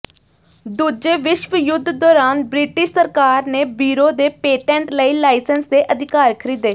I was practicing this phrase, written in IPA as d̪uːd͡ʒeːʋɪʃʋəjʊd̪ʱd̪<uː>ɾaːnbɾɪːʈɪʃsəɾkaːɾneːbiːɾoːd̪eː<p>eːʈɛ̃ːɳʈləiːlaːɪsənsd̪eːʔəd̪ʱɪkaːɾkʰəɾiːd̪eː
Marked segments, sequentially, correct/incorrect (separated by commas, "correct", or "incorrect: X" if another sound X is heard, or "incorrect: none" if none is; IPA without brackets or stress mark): incorrect: ɔː, correct